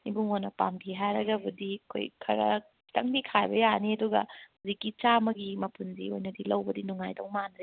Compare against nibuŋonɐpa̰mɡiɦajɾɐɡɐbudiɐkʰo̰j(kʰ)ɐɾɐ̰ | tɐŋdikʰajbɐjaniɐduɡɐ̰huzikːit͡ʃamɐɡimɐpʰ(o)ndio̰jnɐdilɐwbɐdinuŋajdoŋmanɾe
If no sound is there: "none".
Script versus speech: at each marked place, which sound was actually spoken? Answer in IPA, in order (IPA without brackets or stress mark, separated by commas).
kʰ, u